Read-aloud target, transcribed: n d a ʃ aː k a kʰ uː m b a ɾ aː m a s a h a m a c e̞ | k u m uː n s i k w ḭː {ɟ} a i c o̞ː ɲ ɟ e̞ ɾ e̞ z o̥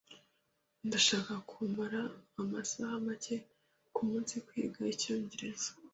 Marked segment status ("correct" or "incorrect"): incorrect